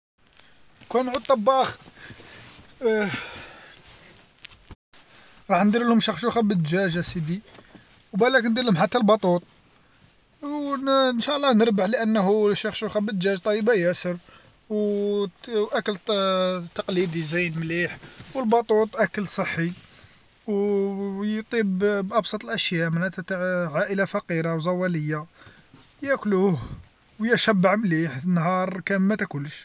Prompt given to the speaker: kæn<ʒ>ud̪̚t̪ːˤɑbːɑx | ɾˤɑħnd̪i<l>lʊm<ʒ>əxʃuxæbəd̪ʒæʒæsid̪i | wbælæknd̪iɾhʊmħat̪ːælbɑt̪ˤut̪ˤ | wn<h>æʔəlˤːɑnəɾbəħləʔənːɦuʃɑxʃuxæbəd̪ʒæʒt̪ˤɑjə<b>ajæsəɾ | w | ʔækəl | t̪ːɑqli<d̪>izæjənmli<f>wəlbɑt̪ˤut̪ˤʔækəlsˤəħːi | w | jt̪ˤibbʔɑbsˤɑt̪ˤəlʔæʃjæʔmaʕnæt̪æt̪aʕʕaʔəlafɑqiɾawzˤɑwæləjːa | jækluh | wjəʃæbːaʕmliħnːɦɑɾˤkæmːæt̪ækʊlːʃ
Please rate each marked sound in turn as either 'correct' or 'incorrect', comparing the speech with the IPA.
incorrect: ʕ, incorrect: ɾ, incorrect: ʃ, incorrect: ʃ, correct, correct, incorrect: ħ

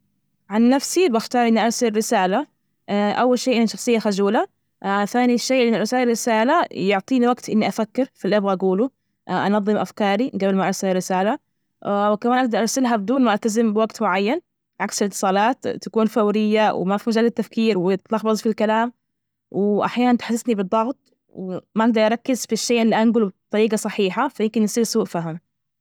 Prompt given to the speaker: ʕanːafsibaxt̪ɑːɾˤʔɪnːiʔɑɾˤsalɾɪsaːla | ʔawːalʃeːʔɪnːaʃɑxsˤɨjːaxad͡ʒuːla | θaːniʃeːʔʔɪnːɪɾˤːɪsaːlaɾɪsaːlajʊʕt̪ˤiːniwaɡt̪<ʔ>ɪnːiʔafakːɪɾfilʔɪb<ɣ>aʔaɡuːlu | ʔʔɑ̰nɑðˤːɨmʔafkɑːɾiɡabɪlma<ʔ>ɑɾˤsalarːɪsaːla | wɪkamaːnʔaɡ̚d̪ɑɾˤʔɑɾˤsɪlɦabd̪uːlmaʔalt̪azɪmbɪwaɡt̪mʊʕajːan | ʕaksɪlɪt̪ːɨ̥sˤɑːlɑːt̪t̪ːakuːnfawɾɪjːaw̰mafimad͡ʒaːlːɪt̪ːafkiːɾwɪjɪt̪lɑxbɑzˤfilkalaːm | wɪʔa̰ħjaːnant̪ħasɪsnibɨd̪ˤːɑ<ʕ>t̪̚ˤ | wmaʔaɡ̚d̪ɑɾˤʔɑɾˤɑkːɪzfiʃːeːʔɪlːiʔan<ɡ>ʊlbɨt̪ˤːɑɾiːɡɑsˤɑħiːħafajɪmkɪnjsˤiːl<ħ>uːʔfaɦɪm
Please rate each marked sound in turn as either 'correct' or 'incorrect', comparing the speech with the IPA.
correct, correct, correct, incorrect: ɣ, correct, incorrect: s

